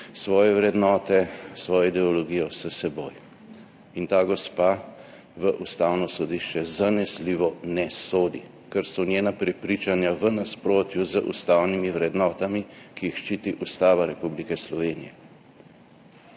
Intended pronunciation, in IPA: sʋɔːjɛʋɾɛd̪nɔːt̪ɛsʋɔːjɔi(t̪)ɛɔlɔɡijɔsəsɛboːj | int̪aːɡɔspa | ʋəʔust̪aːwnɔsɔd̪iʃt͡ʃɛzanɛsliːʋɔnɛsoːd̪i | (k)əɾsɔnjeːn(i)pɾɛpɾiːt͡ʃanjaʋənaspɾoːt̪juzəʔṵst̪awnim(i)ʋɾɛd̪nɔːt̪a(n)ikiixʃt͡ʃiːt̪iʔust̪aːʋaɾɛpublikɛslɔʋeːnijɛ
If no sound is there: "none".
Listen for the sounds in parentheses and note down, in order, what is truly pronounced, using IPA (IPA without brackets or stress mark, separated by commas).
d̪, k, a, i, m